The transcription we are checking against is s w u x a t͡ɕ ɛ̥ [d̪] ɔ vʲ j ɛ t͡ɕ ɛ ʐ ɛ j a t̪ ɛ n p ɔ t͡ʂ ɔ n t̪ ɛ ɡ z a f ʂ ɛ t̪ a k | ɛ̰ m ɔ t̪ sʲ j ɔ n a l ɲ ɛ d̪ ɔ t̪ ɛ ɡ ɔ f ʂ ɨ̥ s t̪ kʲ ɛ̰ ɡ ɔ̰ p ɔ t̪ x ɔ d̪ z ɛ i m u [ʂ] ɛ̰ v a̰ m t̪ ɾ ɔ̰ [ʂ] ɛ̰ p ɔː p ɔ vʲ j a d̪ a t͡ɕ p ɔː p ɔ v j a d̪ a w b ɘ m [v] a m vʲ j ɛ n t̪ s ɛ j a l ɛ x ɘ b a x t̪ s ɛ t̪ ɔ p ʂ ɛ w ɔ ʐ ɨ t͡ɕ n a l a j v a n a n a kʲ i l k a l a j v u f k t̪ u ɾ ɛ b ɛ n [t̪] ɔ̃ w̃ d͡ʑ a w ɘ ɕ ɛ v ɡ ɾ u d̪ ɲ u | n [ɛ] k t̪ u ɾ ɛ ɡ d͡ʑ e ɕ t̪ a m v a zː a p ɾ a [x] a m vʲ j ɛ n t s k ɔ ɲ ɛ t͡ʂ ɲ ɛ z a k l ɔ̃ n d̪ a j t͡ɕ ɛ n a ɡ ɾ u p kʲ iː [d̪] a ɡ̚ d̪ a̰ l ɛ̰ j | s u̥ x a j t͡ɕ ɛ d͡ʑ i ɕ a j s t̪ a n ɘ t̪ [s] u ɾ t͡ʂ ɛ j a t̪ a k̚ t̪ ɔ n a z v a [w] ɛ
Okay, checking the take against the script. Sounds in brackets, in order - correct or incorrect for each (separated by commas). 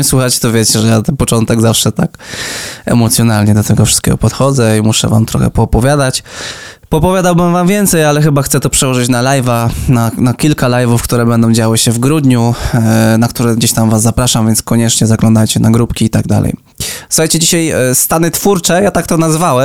incorrect, correct, incorrect, correct, incorrect, incorrect, incorrect, incorrect, incorrect, correct